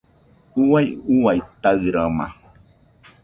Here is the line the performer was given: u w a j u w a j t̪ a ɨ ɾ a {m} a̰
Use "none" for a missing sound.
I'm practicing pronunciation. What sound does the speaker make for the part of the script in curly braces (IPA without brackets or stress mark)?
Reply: m